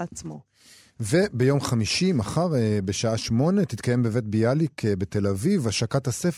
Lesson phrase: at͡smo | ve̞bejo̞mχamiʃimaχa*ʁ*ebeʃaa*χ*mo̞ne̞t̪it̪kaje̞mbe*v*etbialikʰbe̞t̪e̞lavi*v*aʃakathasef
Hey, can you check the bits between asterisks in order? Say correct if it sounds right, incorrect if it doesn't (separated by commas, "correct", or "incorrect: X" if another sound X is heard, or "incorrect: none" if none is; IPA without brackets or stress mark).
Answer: correct, incorrect: ʃ, correct, correct